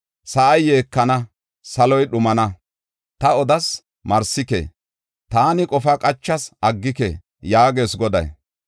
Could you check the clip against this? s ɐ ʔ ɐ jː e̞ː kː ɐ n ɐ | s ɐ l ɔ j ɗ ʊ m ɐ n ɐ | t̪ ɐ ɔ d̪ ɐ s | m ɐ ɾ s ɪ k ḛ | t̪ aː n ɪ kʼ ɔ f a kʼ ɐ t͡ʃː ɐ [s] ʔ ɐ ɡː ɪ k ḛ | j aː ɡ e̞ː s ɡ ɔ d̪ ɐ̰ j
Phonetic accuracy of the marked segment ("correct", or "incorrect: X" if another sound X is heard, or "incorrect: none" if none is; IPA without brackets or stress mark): correct